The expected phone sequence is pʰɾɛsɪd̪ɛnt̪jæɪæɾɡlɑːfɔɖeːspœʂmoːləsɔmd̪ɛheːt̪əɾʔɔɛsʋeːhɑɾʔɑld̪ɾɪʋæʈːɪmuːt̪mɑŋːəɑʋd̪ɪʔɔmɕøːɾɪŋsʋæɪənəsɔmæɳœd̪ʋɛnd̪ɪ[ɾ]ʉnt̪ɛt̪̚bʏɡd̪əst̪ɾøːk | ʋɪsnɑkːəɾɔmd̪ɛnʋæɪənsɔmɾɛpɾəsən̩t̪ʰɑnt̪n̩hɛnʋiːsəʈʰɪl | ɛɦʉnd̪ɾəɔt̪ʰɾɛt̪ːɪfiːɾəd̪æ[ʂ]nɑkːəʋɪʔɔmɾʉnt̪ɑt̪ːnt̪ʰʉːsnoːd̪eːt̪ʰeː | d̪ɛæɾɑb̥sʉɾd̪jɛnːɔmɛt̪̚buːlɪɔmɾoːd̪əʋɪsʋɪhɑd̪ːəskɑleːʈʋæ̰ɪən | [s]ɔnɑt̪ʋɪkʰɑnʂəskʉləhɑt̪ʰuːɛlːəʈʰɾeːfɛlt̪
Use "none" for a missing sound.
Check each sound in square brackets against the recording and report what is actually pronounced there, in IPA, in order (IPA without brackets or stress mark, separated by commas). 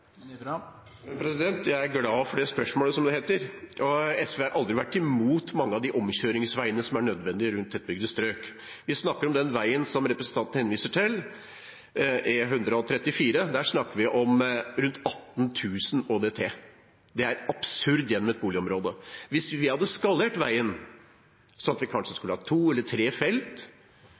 ɾ, ʂ, s